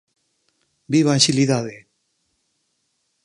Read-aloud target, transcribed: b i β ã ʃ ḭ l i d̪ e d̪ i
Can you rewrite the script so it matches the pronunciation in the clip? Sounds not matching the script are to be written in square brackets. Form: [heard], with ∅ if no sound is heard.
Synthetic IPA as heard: b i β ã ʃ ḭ l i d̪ [a] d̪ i